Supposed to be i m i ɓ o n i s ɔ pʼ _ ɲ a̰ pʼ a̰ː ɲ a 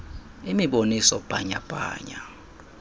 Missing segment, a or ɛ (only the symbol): a